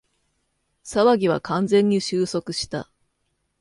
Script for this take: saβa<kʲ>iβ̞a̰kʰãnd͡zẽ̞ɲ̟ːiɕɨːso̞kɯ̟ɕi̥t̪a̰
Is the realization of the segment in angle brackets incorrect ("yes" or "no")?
yes